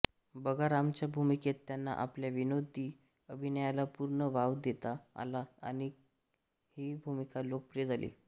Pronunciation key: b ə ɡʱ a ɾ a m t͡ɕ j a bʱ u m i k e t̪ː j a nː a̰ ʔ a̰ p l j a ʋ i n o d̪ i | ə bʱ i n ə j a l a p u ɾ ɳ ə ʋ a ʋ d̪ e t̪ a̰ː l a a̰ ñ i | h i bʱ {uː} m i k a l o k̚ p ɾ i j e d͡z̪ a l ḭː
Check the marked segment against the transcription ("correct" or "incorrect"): incorrect